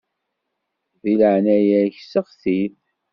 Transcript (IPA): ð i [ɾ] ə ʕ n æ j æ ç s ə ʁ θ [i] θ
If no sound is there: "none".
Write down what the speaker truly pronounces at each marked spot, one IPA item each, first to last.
l, i

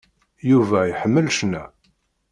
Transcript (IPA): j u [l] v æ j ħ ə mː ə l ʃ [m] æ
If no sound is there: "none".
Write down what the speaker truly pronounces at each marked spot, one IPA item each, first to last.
none, n

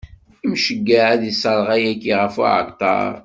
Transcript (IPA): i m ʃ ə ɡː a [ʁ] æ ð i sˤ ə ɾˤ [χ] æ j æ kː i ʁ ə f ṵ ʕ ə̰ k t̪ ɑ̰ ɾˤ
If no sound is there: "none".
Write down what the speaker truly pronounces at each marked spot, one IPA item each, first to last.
ʕ, ʁ

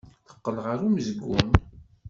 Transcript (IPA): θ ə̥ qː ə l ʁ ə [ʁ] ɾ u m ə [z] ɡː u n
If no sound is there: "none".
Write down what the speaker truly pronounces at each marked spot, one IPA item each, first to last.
none, z

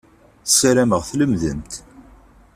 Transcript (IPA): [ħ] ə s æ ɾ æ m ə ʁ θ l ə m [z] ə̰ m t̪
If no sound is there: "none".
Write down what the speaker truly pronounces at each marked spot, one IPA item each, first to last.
θ, ð

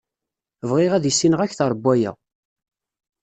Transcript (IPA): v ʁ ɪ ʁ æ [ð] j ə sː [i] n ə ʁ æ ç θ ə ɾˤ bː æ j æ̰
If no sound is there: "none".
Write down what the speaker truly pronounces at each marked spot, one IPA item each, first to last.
ð, i

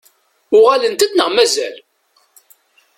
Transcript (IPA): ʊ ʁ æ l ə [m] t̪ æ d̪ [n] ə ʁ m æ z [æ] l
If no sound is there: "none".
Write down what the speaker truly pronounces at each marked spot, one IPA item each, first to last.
n, n, æ

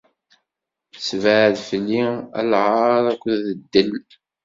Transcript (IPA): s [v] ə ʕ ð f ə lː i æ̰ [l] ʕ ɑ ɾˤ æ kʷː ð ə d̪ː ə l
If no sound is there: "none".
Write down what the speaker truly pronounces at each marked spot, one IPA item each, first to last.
v, l

